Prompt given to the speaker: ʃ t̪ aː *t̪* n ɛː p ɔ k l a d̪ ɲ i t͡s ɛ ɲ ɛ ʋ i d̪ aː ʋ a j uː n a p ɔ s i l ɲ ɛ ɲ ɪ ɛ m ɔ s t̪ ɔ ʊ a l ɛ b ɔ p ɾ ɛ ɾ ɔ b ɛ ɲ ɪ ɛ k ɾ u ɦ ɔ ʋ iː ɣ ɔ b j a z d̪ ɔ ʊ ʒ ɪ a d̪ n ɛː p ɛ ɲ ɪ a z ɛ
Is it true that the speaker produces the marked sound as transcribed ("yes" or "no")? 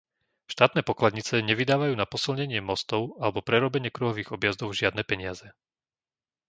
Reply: yes